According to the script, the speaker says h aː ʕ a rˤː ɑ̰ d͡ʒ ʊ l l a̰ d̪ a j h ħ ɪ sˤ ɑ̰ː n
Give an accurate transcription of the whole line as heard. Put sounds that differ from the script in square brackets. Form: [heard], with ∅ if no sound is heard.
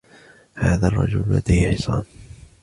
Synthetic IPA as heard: h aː [ð] a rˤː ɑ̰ d͡ʒ ʊ l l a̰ d̪ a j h ħ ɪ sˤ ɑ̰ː n